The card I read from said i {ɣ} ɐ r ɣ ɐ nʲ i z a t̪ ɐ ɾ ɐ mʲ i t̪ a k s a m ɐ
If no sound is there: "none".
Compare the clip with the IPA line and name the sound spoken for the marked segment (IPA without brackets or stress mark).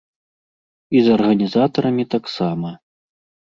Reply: z